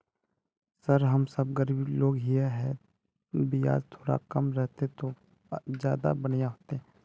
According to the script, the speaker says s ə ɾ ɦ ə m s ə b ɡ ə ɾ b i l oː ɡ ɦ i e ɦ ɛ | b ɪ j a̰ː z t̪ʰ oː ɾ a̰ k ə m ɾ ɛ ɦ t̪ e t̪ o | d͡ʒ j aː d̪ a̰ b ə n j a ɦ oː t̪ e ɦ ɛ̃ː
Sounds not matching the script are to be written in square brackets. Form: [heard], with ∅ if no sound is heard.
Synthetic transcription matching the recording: s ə ɾ ɦ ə m s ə b ɡ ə ɾ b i l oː ɡ ɦ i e ɦ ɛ | b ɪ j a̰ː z t̪ʰ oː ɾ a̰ k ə m ɾ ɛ ɦ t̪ e t̪ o | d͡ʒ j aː d̪ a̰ b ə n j a ɦ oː t̪ e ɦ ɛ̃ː